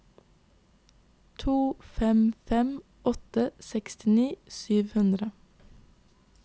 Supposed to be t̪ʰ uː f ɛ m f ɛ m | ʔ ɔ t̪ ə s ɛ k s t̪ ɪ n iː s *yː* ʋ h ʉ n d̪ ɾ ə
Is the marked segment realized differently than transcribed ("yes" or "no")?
no